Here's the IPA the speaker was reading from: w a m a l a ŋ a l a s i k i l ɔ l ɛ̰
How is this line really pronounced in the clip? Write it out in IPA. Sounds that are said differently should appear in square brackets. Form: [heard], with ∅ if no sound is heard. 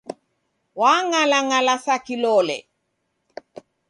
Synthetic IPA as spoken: w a [ŋ] a l a ŋ a l a s [a] k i l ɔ l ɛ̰